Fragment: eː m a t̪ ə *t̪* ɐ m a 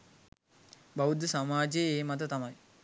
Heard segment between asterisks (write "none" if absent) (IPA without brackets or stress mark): t̪